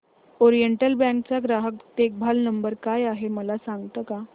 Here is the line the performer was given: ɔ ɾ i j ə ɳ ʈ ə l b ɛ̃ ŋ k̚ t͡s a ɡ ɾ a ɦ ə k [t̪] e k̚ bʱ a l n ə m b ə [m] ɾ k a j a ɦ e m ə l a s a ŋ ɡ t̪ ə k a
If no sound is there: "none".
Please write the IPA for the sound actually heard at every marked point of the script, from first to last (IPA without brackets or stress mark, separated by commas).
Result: t̪, none